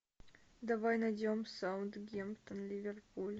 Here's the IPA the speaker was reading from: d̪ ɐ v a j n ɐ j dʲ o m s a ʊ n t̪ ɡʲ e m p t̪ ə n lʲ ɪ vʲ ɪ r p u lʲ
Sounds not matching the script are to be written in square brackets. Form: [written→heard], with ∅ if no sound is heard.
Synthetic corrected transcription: d̪ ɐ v a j n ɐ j dʲ o m s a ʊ n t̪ ɡʲ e m p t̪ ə n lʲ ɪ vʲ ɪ r p u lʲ